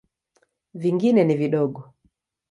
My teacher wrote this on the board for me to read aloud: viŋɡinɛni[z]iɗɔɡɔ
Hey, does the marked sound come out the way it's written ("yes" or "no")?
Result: no